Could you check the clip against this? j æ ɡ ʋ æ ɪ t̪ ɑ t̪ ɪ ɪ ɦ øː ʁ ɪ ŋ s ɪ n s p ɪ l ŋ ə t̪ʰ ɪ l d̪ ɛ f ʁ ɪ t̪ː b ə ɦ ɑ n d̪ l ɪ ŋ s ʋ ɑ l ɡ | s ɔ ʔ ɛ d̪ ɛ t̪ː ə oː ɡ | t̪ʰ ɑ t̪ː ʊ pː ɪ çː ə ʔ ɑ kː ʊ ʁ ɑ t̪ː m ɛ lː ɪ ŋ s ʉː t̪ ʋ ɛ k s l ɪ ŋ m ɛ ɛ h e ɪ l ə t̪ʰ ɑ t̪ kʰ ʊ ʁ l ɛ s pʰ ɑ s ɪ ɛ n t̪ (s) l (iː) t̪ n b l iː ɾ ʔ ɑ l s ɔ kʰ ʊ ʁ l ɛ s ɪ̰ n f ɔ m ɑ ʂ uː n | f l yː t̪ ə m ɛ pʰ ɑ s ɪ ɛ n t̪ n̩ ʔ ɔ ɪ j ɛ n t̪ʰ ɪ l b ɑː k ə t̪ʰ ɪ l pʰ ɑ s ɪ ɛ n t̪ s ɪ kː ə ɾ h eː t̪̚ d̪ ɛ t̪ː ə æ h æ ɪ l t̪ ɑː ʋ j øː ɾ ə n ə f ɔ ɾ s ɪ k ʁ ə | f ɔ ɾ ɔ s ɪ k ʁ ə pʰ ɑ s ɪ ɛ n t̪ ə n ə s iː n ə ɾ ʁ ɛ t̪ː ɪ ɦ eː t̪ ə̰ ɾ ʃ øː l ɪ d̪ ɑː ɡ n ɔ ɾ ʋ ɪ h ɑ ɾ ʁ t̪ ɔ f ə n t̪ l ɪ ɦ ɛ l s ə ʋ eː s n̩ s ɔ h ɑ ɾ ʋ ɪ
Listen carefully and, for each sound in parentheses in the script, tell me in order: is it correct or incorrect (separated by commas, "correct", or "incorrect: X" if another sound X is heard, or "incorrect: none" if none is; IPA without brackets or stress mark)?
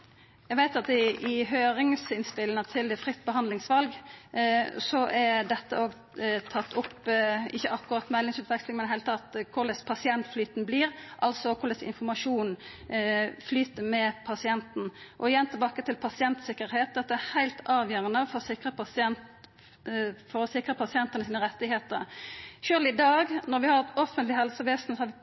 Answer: incorrect: f, incorrect: yː